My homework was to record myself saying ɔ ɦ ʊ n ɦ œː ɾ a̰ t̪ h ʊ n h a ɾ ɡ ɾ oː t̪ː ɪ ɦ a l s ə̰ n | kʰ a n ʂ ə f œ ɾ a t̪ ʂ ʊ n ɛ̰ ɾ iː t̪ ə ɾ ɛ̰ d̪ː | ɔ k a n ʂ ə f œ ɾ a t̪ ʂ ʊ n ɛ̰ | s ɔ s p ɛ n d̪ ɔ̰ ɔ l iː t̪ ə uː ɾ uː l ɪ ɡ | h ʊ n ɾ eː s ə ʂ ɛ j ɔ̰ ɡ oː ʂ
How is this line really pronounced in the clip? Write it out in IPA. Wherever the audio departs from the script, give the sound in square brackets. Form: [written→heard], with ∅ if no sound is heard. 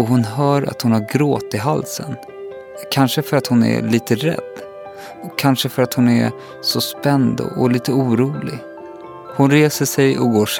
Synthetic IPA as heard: ɔ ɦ ʊ n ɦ œː ɾ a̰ t̪ h ʊ n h a ɾ ɡ ɾ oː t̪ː ɪ ɦ a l s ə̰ n | kʰ a n ʂ ə f œ ɾ a t̪ [ʂ→h] ʊ n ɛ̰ [ɾ→l] iː t̪ ə ɾ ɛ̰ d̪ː | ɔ [k→kʰ] a n ʂ ə f œ ɾ a t̪ [ʂ→h] ʊ n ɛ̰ | s ɔ s p ɛ n d̪ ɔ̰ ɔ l iː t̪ ə uː ɾ uː l ɪ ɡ | h ʊ n ɾ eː s ə ʂ ɛ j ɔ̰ ɡ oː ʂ